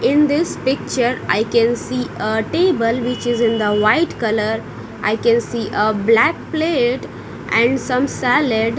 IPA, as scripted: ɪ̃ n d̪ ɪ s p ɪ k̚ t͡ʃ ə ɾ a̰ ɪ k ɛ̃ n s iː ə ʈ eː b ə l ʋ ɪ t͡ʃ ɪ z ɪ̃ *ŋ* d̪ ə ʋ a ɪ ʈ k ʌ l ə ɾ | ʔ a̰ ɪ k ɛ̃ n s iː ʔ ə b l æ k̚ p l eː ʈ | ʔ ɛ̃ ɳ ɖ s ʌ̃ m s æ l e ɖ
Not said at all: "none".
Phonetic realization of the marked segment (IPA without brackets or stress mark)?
n